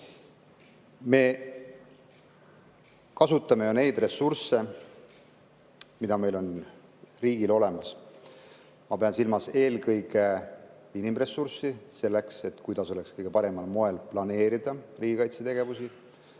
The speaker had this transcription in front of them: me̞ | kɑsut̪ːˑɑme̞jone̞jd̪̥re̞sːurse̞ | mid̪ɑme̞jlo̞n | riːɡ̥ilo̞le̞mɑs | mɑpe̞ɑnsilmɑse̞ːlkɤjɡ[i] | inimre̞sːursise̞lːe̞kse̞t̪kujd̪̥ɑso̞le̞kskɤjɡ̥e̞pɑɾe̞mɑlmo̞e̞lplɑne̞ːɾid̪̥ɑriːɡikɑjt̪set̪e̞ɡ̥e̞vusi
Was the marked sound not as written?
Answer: yes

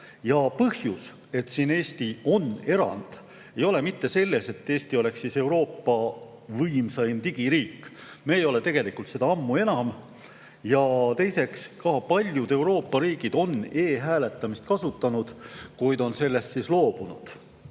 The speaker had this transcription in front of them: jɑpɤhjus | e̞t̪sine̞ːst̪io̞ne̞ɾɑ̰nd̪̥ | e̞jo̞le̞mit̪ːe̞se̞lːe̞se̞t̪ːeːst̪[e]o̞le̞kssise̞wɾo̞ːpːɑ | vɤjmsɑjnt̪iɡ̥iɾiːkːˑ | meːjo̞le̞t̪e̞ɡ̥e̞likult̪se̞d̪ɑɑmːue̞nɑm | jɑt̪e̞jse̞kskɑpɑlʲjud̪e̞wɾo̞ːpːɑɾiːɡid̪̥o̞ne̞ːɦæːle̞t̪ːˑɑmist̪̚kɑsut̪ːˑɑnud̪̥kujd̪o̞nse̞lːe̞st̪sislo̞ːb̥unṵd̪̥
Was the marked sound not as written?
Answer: yes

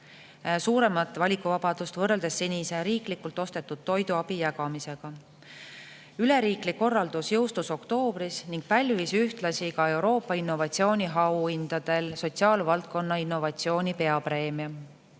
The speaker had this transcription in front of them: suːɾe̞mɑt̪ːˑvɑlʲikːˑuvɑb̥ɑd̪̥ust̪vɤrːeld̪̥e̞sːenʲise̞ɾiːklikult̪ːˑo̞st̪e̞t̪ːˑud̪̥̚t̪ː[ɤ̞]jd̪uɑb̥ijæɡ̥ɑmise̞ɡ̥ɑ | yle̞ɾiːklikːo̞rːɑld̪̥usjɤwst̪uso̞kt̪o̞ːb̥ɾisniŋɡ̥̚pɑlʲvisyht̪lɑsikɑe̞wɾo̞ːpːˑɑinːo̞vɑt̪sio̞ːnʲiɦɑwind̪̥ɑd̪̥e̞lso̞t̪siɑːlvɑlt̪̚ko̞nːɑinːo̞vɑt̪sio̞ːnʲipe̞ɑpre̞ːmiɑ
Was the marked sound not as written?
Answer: yes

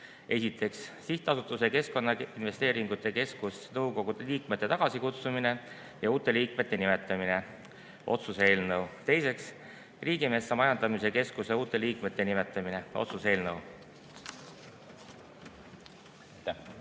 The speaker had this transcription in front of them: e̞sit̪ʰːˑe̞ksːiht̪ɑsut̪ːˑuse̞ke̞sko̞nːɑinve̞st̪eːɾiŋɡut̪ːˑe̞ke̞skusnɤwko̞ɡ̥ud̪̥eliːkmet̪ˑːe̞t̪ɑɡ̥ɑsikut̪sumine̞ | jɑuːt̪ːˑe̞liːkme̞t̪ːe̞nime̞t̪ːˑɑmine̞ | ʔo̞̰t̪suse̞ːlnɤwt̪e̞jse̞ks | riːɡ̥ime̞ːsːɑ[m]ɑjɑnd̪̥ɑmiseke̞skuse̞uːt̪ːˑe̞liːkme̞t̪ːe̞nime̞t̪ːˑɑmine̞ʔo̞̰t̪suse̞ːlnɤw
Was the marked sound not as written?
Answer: no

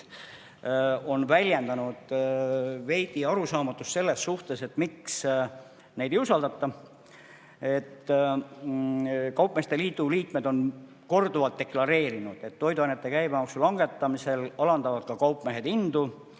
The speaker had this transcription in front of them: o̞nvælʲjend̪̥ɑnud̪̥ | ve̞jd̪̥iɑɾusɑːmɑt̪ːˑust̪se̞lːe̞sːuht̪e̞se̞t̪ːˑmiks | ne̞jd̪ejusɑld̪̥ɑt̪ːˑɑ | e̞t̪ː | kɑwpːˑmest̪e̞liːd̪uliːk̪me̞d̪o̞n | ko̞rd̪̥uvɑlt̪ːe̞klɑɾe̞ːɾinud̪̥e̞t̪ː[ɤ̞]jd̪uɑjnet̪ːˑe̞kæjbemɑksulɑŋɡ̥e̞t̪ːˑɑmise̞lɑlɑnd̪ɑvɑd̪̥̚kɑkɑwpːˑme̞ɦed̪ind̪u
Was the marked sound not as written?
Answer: yes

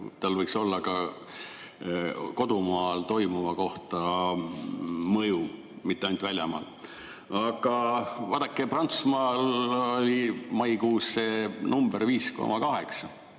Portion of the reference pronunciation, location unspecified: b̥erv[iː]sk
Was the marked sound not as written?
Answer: no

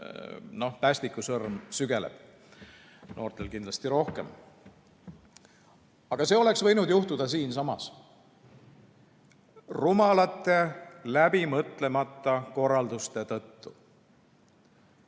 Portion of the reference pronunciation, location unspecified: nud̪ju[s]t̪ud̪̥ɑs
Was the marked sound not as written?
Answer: yes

